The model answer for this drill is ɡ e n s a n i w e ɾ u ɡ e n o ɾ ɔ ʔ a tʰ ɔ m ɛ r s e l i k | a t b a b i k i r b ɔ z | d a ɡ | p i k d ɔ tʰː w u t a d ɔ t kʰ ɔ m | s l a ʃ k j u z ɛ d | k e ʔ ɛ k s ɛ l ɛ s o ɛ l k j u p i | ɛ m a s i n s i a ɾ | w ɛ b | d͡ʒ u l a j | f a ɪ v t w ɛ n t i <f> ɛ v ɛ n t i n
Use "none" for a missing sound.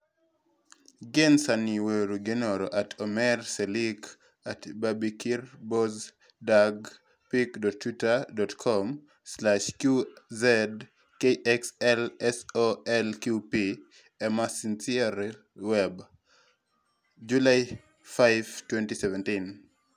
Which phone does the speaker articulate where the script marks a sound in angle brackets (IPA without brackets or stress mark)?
s